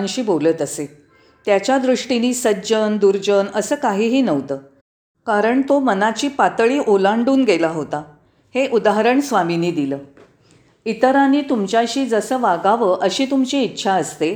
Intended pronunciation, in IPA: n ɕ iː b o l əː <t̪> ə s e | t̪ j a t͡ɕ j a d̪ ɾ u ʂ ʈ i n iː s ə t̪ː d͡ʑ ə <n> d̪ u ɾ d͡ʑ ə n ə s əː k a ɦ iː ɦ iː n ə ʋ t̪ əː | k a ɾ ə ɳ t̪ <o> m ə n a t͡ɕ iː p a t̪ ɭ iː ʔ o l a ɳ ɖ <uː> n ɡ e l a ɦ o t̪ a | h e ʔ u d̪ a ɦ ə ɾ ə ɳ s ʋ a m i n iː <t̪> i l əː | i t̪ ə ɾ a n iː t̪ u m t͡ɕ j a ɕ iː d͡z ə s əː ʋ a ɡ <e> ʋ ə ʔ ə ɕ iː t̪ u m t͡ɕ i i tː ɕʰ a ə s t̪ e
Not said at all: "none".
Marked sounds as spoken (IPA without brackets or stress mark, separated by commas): t̪, n, o, uː, d̪, a